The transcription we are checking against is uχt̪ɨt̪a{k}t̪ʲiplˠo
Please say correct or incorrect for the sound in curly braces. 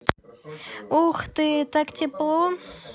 correct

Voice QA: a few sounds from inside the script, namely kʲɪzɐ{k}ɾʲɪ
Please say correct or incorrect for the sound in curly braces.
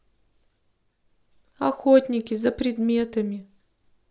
incorrect: p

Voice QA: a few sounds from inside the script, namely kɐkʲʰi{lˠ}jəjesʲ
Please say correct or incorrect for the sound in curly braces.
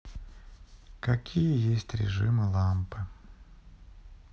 incorrect: none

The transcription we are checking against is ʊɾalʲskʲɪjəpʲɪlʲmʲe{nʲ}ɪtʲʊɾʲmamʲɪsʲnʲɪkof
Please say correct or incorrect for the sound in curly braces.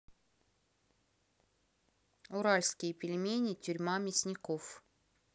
correct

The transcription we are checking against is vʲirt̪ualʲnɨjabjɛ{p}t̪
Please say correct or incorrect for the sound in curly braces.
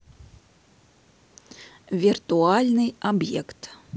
incorrect: k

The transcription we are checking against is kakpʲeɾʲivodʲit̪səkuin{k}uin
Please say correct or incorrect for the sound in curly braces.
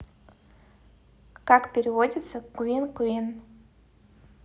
correct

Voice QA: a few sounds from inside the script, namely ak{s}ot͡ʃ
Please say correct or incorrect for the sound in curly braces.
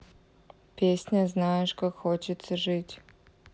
incorrect: x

